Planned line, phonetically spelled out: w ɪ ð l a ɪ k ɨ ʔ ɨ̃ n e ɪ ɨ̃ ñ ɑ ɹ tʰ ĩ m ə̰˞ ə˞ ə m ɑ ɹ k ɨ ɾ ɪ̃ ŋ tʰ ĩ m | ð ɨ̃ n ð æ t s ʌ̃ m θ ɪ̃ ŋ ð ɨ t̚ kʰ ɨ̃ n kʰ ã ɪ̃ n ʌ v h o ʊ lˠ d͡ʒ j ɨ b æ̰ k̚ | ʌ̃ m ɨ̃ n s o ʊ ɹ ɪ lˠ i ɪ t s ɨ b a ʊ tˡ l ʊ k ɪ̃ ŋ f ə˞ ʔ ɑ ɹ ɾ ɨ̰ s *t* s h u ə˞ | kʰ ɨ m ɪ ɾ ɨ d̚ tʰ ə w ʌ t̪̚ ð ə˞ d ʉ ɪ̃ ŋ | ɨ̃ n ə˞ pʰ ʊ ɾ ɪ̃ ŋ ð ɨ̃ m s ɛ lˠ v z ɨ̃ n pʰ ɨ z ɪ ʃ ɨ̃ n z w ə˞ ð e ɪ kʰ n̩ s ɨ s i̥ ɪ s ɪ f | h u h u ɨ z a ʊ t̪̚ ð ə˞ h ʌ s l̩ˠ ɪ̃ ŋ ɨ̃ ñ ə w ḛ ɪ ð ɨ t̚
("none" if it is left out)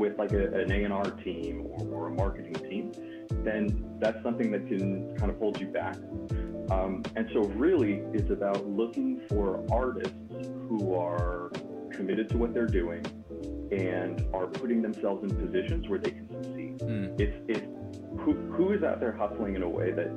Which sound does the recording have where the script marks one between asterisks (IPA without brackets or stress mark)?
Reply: t